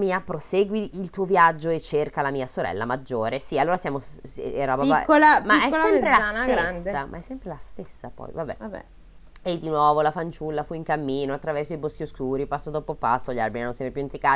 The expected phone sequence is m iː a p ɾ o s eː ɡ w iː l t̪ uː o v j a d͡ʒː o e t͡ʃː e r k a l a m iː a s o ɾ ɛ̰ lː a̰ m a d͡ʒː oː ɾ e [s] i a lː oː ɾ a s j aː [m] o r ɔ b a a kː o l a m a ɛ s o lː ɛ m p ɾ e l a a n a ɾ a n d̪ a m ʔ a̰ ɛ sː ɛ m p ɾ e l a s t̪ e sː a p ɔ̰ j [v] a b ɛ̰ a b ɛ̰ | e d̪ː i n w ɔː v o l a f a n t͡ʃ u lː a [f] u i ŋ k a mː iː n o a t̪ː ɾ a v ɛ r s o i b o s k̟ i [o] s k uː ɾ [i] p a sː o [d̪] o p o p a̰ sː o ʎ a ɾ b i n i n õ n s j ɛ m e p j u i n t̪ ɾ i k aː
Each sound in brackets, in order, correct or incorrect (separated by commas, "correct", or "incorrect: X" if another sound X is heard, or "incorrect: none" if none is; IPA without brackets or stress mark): correct, correct, correct, correct, correct, correct, correct